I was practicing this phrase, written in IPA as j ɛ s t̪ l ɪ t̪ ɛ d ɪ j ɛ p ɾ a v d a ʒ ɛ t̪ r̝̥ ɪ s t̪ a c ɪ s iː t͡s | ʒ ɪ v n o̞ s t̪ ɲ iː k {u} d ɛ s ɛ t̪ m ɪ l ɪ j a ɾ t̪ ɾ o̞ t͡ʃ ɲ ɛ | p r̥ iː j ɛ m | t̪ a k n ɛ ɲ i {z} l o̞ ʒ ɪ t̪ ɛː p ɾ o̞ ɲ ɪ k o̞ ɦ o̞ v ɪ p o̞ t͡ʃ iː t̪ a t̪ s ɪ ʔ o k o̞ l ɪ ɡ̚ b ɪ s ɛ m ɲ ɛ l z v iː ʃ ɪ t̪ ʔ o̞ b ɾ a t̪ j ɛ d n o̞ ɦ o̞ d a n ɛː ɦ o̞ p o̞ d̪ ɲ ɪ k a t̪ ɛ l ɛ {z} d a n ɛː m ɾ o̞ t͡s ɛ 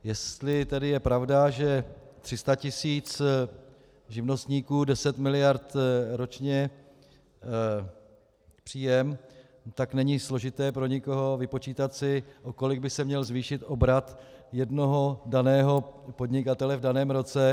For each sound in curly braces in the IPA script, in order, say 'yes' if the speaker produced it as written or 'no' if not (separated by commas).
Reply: no, no, no